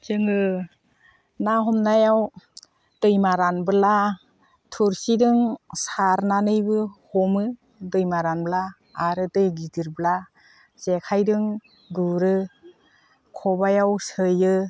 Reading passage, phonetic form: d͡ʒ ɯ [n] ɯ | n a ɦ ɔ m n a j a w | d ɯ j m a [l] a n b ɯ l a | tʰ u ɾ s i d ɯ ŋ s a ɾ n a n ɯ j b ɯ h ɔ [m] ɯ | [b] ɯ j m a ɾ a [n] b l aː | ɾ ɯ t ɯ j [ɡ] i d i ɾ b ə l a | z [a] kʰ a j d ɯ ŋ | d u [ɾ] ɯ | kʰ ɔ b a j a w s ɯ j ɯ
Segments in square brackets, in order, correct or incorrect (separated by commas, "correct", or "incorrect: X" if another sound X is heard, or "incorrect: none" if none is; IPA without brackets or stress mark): incorrect: ŋ, incorrect: ɾ, correct, incorrect: d, correct, correct, incorrect: e, correct